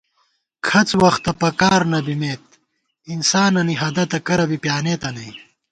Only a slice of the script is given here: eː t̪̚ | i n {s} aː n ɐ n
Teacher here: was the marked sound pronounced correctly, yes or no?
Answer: yes